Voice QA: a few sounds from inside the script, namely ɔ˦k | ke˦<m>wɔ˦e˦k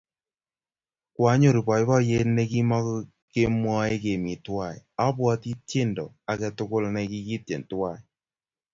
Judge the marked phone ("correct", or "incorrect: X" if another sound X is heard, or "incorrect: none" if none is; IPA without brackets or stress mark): correct